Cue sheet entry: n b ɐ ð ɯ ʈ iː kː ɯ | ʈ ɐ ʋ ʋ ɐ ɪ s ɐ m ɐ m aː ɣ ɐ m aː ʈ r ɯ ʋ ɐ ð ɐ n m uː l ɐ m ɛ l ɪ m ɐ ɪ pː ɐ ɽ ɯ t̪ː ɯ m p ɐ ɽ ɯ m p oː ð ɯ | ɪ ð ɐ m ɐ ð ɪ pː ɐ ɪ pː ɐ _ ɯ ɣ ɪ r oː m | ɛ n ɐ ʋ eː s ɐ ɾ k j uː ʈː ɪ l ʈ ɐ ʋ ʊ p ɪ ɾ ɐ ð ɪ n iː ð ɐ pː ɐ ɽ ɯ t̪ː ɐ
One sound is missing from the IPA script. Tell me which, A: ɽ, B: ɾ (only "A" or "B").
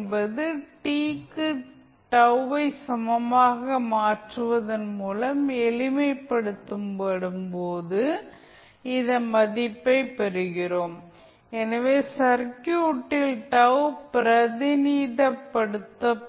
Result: B